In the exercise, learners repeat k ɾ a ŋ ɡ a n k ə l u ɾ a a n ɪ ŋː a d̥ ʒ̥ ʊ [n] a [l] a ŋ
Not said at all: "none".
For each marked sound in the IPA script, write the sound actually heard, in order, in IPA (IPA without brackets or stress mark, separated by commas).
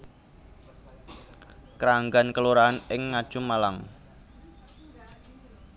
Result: m, l